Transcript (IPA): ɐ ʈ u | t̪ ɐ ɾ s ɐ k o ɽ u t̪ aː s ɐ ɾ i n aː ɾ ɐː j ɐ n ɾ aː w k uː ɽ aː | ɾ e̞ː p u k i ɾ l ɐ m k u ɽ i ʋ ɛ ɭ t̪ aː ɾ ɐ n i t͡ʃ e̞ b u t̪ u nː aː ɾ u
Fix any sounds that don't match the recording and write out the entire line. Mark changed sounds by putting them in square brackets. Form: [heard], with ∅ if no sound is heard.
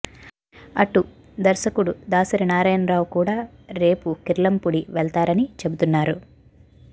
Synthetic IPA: ɐ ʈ u | [d̪] ɐ ɾ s ɐ k [u] ɽ u [d̪] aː s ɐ ɾ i n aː ɾ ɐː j ɐ n ɾ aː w k uː ɽ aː | ɾ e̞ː p u k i ɾ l ɐ m [p] u ɽ i ʋ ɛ ɭ t̪ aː ɾ ɐ n i t͡ʃ e̞ b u t̪ u nː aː ɾ u